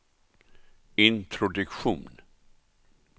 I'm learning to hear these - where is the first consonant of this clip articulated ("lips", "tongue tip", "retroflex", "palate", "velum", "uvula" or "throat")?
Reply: tongue tip